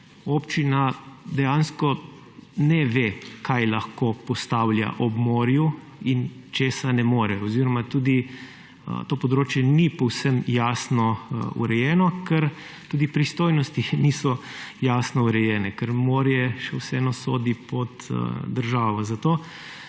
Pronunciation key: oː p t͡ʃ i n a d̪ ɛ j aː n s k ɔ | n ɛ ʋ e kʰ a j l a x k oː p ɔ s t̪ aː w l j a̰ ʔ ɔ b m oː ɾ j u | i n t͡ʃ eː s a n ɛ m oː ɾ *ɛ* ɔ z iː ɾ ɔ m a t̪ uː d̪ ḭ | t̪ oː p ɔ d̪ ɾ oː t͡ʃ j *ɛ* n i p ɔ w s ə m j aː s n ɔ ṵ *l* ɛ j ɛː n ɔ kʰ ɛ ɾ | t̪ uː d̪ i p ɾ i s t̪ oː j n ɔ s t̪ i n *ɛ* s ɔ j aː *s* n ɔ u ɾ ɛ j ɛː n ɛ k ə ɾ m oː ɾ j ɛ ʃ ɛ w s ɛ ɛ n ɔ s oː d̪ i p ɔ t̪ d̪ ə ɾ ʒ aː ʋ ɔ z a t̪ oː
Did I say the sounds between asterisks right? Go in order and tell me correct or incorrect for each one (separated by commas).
correct, correct, incorrect, incorrect, correct